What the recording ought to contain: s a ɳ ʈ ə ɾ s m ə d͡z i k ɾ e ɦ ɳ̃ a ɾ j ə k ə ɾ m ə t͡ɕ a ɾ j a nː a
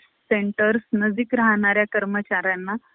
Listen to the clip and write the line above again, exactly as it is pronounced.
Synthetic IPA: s e ɳ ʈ ə ɾ s n ə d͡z i k ɾ a ɦ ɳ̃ a ɾ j a k ə ɾ m ə t͡ɕ a ɾ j a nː a